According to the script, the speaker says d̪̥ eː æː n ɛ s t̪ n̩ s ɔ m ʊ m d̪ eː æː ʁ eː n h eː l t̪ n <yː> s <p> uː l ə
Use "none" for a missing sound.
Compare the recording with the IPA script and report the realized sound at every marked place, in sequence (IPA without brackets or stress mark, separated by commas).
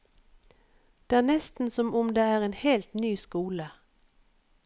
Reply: yː, k